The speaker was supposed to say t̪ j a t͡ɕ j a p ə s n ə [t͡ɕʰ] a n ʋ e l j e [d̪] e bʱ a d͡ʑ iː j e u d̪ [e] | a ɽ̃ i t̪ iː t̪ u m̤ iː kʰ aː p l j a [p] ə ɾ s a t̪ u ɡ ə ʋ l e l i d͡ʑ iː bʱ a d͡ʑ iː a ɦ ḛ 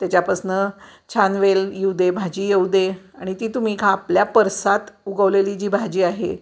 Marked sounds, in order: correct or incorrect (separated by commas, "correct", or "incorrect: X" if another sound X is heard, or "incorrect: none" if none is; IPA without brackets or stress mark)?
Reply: correct, correct, correct, correct